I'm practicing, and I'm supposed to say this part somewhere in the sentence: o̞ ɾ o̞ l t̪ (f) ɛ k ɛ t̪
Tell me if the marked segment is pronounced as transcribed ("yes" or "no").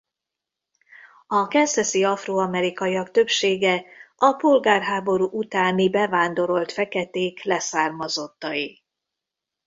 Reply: yes